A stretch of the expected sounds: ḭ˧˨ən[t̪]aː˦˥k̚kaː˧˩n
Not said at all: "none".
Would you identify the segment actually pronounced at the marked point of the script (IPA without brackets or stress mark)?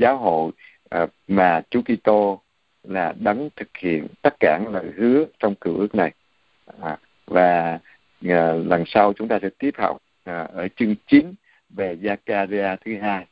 t̪